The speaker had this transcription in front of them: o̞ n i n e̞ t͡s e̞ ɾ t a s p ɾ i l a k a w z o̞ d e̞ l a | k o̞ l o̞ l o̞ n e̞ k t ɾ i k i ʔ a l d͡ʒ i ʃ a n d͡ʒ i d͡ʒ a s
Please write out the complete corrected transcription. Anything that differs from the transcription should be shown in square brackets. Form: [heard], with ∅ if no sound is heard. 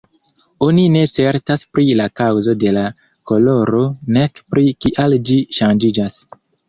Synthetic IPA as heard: o̞ n i n e̞ t͡s e̞ ɾ t a s p ɾ i l a k a w z o̞ d e̞ l a | k o̞ l o̞ [ɾ] o̞ n e̞ k [p] ɾ i k i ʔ a l d͡ʒ i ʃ a n d͡ʒ i d͡ʒ a s

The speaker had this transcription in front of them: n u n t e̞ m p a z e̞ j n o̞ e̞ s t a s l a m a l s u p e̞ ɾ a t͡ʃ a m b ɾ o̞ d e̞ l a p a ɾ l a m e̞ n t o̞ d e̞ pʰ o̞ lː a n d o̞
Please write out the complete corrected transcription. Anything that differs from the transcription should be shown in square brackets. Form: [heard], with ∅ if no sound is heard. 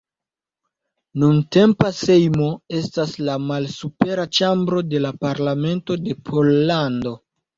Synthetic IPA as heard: n u n t e̞ m p a [s] e̞ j [m] o̞ e̞ s t a s l a m a l s u p e̞ ɾ a t͡ʃ a m b ɾ o̞ d e̞ l a p a ɾ l a m e̞ n t o̞ d e̞ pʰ o̞ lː a n d o̞

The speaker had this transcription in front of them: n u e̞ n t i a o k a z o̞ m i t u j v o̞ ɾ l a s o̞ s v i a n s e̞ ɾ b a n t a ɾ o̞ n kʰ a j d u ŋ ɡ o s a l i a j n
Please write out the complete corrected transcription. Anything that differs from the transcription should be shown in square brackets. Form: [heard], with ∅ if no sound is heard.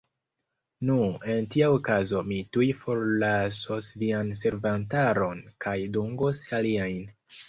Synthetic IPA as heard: n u e̞ n t i a o k a z o̞ m i t u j [f] o̞ ɾ l a s o̞ s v i a n s e̞ ɾ [v] a n t a ɾ o̞ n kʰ a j d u ŋ ɡ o s a l i a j n

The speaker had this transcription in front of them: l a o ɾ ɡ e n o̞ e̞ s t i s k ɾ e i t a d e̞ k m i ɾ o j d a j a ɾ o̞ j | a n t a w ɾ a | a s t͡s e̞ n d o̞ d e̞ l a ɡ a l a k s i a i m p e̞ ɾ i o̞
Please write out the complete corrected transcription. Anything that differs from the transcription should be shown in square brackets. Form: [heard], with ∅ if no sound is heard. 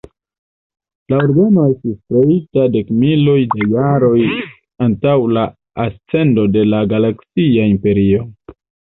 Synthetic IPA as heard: l a o ɾ ɡ [a] n o̞ e̞ s t i s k ɾ e i t a d e̞ k m i [l] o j d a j a ɾ o̞ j | a n t a w [l] a | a s t͡s e̞ n d o̞ d e̞ l a ɡ a l a k s i a i m p e̞ ɾ i o̞

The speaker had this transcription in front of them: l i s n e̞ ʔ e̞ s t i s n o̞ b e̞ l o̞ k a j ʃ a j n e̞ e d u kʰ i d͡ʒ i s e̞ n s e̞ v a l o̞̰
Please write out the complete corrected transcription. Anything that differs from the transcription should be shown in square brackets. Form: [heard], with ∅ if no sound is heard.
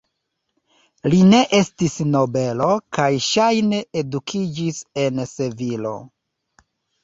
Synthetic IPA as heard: l i [∅] n e̞ ʔ e̞ s t i s n o̞ b e̞ l o̞ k a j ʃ a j n e̞ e d u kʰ i d͡ʒ i s e̞ n s e̞ v [i] l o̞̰

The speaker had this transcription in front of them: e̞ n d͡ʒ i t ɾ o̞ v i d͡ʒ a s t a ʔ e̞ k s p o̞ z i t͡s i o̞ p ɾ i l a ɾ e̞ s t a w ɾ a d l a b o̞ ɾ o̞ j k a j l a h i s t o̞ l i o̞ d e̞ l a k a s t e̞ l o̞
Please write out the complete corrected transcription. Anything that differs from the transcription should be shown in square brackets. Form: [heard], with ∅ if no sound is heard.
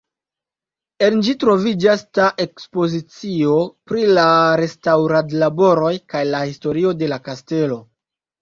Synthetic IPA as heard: e̞ n d͡ʒ i t ɾ o̞ v i d͡ʒ a s t a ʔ e̞ k s p o̞ z i t͡s i o̞ p ɾ i l a ɾ e̞ s t a w ɾ a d l a b o̞ ɾ o̞ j k a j l a h i s t o̞ [ɾ] i o̞ d e̞ l a k a s t e̞ l o̞

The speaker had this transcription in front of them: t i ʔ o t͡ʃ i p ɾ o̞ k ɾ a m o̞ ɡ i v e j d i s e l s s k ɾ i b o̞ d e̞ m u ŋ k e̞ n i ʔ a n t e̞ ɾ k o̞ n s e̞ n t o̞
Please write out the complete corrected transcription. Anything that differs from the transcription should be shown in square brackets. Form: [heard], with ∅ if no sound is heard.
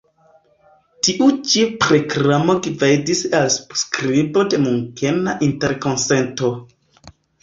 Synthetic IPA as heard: t i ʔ [u] t͡ʃ i p ɾ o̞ k ɾ a m o̞ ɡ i v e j d i s [a] l s s k ɾ i b o̞ d e̞ m u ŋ k e̞ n [a] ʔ [i] n t e̞ ɾ k o̞ n s e̞ n t o̞

